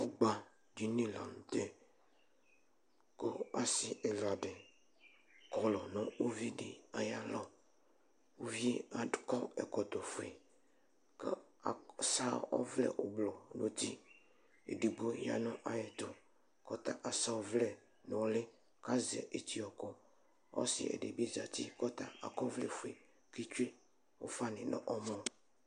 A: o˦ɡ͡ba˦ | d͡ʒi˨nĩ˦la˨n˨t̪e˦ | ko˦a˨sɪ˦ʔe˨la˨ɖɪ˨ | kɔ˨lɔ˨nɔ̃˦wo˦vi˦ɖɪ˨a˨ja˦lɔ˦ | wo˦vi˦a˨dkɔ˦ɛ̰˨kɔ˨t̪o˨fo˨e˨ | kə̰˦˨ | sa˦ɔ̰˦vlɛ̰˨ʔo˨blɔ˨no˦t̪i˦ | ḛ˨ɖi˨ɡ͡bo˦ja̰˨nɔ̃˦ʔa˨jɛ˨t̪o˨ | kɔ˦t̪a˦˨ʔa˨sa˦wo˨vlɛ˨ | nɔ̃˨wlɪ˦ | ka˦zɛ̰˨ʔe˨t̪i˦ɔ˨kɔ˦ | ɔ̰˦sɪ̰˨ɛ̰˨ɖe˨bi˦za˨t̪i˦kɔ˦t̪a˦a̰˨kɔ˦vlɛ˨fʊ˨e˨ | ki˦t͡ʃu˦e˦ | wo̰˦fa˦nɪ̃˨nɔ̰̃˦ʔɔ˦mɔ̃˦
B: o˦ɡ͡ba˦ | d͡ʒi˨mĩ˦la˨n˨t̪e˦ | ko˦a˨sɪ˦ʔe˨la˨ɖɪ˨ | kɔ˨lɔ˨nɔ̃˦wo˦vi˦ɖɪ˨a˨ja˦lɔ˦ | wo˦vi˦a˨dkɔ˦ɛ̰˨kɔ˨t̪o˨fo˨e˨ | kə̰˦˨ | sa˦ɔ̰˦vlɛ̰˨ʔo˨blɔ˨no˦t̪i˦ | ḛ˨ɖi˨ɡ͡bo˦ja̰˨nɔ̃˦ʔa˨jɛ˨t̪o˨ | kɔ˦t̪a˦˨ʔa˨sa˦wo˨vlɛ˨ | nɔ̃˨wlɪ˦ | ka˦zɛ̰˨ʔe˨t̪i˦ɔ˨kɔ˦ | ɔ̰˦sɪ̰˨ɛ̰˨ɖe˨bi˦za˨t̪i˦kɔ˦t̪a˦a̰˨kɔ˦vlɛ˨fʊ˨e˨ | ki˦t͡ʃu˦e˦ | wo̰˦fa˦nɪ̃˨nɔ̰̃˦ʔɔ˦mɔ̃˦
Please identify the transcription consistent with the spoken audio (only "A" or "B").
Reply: A